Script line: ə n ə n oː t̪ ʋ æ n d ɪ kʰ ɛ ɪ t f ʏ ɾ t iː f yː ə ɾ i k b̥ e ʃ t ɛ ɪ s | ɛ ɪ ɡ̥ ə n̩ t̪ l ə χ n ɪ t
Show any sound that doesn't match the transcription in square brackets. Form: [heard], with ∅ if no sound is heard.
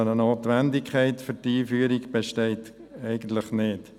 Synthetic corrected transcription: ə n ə n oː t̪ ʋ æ n d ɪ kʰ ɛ ɪ t f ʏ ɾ t iː f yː ə ɾ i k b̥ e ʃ t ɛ ɪ [t] | ɛ ɪ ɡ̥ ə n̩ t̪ l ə χ n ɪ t